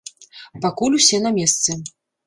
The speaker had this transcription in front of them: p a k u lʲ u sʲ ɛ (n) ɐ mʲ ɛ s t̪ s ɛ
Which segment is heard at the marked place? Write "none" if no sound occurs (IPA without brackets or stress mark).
n